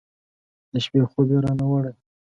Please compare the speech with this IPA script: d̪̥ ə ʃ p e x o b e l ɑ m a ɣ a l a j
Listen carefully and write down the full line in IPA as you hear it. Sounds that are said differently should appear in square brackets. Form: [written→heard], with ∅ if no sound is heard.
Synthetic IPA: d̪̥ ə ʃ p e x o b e [l→ɾ] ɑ [m→n] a [ɣ→w] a [l→ɽ] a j